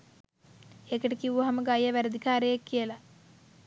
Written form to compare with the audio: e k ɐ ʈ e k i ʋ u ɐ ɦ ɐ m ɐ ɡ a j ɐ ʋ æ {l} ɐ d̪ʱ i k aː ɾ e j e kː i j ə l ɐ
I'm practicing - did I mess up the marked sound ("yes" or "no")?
yes